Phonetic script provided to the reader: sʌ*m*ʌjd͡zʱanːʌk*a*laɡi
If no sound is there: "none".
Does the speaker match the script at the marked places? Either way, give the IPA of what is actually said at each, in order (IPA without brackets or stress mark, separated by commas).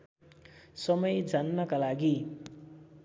m, a